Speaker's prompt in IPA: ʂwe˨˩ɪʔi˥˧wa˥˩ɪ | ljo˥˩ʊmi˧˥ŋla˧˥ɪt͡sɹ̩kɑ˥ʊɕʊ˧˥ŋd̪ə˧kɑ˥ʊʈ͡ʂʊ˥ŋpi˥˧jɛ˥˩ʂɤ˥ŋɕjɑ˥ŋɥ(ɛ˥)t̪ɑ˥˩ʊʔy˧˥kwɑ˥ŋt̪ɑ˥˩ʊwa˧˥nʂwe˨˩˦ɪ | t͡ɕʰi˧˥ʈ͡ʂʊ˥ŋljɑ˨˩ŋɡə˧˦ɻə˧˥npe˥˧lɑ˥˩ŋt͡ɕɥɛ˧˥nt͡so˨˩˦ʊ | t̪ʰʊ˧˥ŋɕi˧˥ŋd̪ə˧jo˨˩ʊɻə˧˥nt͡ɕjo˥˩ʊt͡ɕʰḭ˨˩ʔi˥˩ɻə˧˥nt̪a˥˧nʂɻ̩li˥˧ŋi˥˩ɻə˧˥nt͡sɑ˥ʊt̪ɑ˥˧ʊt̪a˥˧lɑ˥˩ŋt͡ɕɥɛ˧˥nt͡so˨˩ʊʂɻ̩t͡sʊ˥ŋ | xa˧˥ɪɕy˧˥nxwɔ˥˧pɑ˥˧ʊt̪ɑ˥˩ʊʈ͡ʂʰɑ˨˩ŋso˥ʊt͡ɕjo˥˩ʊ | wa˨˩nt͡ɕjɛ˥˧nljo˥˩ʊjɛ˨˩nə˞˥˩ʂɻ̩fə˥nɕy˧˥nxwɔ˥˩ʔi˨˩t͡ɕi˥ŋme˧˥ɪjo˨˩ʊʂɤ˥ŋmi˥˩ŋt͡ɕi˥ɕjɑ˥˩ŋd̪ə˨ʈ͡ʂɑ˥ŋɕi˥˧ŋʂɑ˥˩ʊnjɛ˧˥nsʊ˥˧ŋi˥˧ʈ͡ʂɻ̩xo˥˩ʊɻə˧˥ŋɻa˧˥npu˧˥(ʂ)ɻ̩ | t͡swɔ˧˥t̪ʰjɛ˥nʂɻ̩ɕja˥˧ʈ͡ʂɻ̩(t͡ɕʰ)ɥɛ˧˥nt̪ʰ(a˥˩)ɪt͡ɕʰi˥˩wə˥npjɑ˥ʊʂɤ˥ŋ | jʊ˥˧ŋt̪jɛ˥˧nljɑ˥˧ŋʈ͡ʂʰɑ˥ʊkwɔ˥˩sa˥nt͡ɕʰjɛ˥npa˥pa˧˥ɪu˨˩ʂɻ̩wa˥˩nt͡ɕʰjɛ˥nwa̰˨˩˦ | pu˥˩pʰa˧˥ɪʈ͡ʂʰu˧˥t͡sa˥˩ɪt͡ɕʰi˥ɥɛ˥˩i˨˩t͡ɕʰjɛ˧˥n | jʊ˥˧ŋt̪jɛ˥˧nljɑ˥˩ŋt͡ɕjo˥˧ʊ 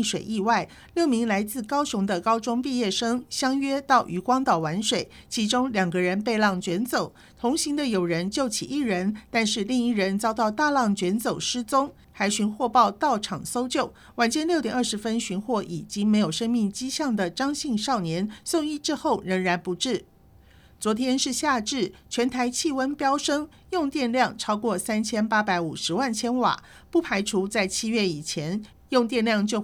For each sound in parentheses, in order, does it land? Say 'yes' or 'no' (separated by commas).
yes, no, yes, no